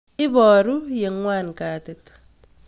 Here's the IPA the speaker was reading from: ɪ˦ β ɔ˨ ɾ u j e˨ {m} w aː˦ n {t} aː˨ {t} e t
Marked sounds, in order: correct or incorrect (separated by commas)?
incorrect, incorrect, correct